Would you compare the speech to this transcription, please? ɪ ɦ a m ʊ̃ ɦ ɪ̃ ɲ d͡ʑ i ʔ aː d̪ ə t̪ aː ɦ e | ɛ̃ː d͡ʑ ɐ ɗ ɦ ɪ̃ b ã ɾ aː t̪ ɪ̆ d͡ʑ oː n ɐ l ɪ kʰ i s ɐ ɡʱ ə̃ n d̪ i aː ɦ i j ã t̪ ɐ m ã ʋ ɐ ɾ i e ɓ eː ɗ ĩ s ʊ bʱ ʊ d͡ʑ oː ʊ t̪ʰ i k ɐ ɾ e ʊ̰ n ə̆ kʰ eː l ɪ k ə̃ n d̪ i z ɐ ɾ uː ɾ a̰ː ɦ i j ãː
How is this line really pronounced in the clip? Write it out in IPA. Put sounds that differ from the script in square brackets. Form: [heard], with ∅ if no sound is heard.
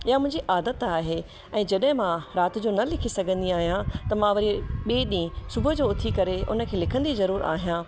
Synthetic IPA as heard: ɪ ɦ a m ʊ̃ ɦ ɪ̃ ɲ d͡ʑ i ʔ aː d̪ ə t̪ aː ɦ e | ɛ̃ː d͡ʑ ɐ ɗ ɦ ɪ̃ [m] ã ɾ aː t̪ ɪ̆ d͡ʑ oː n ɐ l ɪ kʰ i s ɐ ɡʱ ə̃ n d̪ i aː ɦ i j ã t̪ ɐ m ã ʋ ɐ ɾ i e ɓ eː ɗ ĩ s ʊ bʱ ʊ d͡ʑ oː ʊ t̪ʰ i k ɐ ɾ e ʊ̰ n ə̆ kʰ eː l ɪ [kʰ] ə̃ n d̪ i z ɐ ɾ uː ɾ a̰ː ɦ i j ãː